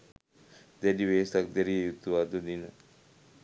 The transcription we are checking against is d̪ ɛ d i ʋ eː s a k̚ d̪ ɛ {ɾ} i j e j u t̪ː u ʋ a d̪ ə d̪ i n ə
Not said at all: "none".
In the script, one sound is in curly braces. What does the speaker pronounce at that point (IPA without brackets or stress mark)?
ɾ